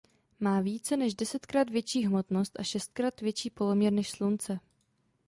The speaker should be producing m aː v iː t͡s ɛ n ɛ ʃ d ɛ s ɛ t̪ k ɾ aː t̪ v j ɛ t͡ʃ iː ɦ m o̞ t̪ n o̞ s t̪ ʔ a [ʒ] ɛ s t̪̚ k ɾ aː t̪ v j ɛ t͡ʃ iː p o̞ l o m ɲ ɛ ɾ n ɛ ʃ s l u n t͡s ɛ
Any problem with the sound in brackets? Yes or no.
yes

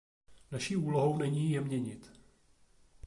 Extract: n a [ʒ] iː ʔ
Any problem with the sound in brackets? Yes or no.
yes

